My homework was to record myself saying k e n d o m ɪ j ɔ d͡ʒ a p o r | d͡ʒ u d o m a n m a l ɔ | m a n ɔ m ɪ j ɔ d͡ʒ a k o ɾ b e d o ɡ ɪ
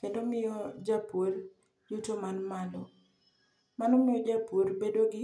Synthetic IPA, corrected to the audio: k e n d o m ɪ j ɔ d͡ʒ a p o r | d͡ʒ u t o m a n m a l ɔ | m a n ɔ m ɪ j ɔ d͡ʒ a p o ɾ b e d o ɡ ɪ